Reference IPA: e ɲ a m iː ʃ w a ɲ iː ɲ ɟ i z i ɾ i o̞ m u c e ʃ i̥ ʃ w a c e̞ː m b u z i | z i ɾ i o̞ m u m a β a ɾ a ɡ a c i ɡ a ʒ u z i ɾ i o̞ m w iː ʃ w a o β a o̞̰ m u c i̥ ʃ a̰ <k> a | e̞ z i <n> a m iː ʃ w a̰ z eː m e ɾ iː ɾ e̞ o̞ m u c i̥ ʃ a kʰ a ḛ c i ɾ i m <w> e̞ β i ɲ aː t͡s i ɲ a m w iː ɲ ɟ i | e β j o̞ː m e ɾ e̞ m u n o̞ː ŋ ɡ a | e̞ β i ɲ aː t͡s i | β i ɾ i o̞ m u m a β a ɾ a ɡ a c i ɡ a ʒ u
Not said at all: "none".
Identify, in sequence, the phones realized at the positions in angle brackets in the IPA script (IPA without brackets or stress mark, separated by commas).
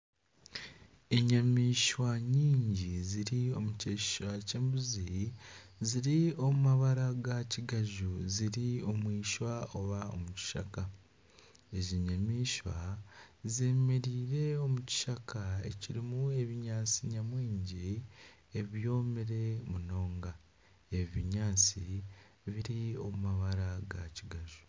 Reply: k, ɲ, u